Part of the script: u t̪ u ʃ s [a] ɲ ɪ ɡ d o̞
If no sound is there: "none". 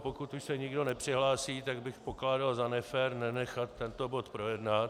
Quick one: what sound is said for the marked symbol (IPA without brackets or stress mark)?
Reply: ɛ